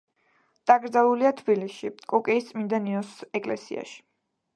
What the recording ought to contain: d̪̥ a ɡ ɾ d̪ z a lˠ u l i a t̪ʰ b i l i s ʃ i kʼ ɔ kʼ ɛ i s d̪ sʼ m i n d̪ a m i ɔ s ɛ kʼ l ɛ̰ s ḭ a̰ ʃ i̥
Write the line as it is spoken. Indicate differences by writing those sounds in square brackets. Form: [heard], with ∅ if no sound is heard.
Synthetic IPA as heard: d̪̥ a ɡ ɾ d̪ z a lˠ u l i a t̪ʰ b i l i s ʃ i kʼ ɔ kʼ ɛ i s [t̪] sʼ m i n d̪ a [n] i ɔ s ɛ kʼ l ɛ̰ s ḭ a̰ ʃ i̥

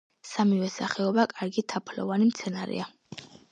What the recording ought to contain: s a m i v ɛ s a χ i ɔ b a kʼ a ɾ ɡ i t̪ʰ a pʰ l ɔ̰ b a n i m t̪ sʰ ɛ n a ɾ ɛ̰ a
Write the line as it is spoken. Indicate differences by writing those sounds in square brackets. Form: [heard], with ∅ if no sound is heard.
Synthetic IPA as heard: s a m i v ɛ s a χ [ɛ] ɔ b a kʼ a ɾ ɡ i t̪ʰ a pʰ l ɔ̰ [v] a n i m t̪ sʰ ɛ n a ɾ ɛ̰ a

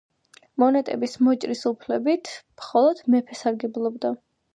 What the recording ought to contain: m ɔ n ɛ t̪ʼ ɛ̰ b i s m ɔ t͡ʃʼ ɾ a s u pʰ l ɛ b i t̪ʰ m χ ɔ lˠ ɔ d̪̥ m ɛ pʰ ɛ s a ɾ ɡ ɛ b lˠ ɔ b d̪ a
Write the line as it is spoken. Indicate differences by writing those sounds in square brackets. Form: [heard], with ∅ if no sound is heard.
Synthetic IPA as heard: m ɔ n ɛ t̪ʼ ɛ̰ b i s m ɔ t͡ʃʼ ɾ [i] s u pʰ l ɛ b i t̪ʰ m χ ɔ lˠ ɔ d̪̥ m ɛ pʰ ɛ s a ɾ ɡ ɛ b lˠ ɔ b d̪ a

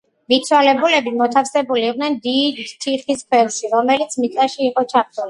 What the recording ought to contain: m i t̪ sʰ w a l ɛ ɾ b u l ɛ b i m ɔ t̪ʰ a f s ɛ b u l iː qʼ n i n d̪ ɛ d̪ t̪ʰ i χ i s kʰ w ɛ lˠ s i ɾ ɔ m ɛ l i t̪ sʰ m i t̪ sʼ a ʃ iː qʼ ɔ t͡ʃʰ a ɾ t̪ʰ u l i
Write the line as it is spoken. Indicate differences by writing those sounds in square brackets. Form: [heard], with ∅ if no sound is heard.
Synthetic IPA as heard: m i t̪ sʰ w a l ɛ [∅] b u l ɛ b i m ɔ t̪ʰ a f s ɛ b u l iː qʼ n [ɛ] n d̪ [i] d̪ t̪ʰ i χ i s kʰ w ɛ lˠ [ʃ] i ɾ ɔ m ɛ l i t̪ sʰ m i t̪ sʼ a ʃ iː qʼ ɔ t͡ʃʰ a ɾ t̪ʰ u l i

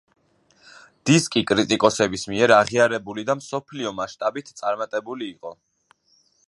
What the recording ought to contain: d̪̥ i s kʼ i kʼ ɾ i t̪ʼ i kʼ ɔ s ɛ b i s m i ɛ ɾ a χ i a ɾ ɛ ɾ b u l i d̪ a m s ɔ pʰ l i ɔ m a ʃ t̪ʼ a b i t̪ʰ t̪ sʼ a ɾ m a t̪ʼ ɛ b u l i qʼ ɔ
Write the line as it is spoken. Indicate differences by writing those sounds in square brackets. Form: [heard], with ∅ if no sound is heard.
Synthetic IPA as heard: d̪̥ i s kʼ i kʼ ɾ i t̪ʼ i kʼ ɔ s ɛ b i s m i ɛ ɾ a [ʁ] i a ɾ ɛ [∅] b u l i d̪ a m s ɔ pʰ l i ɔ m a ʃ t̪ʼ a b i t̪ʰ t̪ sʼ a ɾ m a t̪ʼ ɛ b u l [iː] qʼ ɔ

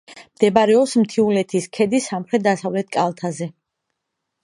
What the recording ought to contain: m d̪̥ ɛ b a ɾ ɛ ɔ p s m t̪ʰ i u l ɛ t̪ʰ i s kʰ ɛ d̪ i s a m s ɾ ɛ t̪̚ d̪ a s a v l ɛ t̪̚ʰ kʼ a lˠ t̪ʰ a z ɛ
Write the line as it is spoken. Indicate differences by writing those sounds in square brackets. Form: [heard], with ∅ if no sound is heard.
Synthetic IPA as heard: m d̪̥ ɛ b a ɾ ɛ ɔ p s m t̪ʰ i u l ɛ t̪ʰ i s kʰ ɛ d̪ i s a m [χ] ɾ ɛ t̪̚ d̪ a s a v l ɛ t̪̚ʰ kʼ a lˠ t̪ʰ a z ɛ

